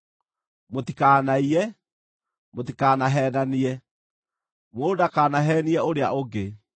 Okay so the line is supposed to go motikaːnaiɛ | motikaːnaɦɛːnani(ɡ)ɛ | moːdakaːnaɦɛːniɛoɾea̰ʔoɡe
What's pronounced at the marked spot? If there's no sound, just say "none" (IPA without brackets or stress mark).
none